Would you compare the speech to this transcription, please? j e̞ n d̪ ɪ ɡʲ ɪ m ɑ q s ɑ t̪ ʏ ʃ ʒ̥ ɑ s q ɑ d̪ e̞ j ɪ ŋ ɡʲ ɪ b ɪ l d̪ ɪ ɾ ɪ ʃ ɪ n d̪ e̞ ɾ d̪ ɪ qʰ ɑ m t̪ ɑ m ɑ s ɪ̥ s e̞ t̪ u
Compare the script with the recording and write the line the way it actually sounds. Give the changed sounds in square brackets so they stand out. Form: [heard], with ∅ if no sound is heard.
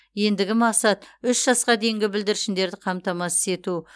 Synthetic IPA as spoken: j e̞ n d̪ ɪ ɡʲ ɪ m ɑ q s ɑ t̪ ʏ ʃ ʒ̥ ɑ s q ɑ d̪ e̞ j ɪ ŋ ɡʲ ɪ b ɪ l d̪ ɪ ɾ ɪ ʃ ɪ n d̪ e̞ ɾ d̪ ɪ qʰ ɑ m t̪ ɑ m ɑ s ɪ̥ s e̞ t̪ u